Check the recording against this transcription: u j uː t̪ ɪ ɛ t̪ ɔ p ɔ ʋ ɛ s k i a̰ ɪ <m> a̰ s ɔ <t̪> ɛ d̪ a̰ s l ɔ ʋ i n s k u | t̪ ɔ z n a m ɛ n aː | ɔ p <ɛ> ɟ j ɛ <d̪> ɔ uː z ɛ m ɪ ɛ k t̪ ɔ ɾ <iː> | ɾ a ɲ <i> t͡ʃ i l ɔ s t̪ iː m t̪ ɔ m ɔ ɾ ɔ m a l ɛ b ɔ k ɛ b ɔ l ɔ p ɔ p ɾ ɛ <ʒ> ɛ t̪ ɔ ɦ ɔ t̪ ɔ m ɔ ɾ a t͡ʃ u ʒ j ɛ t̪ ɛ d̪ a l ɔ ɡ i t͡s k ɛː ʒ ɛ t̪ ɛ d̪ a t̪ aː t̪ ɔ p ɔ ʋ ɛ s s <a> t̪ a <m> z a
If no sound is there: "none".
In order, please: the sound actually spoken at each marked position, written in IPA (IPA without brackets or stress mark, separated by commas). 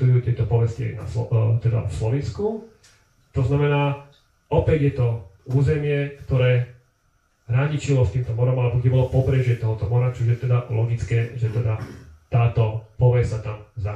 n, t̪, ɛ, t̪, ɛː, i, ʒ, a, m